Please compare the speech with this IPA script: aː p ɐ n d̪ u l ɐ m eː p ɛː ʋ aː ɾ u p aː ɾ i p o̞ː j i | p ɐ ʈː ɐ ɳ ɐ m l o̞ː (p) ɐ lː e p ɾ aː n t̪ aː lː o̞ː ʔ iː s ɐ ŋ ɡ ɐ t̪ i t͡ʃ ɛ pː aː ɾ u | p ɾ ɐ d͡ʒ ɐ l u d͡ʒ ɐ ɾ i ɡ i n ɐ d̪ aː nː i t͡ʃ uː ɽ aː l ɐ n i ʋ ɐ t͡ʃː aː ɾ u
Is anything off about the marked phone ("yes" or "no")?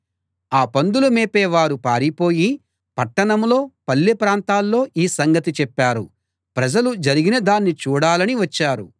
no